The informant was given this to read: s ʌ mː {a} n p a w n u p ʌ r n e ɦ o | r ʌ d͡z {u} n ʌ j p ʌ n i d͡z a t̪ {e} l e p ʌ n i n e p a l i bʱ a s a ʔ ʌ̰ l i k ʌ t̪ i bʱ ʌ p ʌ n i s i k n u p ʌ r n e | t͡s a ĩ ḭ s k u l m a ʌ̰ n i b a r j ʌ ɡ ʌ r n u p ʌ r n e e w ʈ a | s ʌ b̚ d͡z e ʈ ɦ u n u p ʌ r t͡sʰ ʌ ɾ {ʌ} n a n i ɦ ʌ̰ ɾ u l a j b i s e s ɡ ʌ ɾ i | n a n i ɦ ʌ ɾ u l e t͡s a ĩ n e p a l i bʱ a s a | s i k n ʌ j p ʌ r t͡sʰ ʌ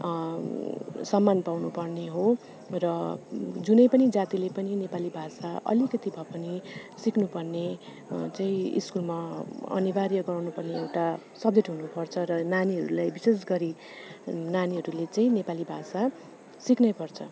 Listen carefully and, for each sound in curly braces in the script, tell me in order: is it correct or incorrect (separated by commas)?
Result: correct, correct, incorrect, correct